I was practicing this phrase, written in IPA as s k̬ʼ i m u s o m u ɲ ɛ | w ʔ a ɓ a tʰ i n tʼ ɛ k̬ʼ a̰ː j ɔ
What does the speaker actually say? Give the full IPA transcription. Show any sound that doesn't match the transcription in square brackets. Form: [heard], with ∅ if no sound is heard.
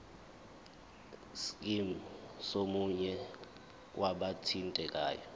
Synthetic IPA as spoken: s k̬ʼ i m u s o m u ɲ ɛ | w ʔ a ɓ a tʰ i n tʼ ɛ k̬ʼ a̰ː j ɔ